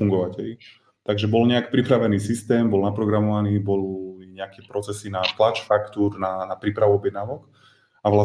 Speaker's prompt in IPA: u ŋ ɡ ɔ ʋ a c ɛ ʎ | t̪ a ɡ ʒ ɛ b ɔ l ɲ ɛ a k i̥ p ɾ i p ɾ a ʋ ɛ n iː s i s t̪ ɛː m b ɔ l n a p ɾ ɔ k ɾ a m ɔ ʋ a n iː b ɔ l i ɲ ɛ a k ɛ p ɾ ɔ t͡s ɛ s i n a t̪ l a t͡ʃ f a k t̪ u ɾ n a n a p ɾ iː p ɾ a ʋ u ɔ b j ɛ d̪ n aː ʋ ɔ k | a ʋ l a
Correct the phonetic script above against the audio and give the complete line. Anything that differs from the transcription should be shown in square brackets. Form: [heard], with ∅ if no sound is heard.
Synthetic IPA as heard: u ŋ ɡ ɔ ʋ a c ɛ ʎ | t̪ a ɡ ʒ ɛ b ɔ l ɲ ɛ a k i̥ p ɾ i p ɾ a ʋ ɛ n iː s i s t̪ ɛː m b ɔ l n a p ɾ ɔ [ɡ] ɾ a m ɔ ʋ a n iː b ɔ l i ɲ ɛ a k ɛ p ɾ ɔ t͡s ɛ s i n a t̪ l a t͡ʃ f a k t̪ u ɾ n a n a p ɾ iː p ɾ a ʋ u ɔ b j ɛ d̪ n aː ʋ ɔ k | a ʋ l a